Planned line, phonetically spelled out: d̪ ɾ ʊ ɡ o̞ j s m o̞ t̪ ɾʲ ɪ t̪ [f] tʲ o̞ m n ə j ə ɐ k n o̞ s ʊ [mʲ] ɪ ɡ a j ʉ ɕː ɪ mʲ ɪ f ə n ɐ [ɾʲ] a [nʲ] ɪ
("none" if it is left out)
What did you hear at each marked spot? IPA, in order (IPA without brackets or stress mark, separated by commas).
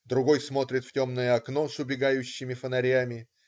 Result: f, bʲ, ɾʲ, mʲ